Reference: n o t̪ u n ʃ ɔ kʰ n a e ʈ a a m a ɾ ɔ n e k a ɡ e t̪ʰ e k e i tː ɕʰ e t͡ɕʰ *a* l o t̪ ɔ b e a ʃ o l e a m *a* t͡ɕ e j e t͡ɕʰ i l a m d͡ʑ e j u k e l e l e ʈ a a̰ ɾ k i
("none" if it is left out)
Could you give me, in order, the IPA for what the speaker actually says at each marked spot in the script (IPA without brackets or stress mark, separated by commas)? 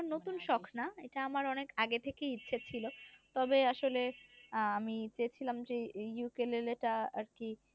i, i